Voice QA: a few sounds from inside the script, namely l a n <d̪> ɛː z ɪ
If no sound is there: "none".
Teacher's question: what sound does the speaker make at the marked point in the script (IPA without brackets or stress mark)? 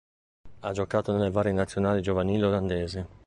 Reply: d̪